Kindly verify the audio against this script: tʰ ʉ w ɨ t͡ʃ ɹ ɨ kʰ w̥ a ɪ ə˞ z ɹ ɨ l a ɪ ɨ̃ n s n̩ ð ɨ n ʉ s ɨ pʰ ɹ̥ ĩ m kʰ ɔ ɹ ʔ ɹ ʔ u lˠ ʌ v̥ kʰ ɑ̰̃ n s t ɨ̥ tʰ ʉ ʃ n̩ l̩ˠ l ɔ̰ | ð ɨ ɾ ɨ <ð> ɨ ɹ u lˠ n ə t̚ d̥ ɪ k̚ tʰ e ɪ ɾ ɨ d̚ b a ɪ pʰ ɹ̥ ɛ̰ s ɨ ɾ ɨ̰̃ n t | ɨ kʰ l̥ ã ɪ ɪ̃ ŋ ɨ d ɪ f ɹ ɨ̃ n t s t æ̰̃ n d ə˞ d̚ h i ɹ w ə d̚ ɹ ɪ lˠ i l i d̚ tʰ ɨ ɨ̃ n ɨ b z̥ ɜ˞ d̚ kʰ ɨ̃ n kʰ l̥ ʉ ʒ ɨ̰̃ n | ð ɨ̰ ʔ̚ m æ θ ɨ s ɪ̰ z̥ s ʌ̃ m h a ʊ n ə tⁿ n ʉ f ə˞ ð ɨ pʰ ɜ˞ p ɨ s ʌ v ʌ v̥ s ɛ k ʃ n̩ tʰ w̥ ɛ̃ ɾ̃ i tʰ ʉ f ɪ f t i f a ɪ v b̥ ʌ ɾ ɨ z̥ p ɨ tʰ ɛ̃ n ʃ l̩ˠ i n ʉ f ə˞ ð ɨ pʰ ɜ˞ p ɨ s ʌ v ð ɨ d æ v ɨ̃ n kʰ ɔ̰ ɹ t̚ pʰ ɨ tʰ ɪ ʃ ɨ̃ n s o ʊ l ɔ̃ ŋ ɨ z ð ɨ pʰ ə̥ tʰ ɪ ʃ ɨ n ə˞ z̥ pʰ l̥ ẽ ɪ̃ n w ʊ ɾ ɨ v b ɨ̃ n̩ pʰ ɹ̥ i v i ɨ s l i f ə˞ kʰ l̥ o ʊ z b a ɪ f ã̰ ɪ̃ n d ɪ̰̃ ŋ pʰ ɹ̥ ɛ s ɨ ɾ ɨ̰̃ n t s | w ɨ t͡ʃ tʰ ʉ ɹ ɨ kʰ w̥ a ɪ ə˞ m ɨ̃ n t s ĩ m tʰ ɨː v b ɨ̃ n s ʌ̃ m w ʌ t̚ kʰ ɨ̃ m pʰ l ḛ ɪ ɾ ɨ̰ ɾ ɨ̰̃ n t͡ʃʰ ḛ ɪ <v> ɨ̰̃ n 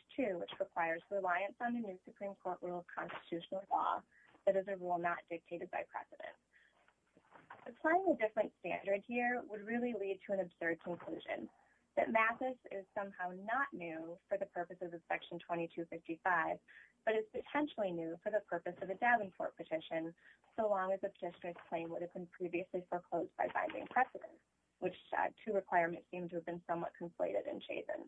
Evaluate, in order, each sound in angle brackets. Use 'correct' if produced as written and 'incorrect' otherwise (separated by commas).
incorrect, incorrect